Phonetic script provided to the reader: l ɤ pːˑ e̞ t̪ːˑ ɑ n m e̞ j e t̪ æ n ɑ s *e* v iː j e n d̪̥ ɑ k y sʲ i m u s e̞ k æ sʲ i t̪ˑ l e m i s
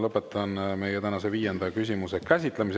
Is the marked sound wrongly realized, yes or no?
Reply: no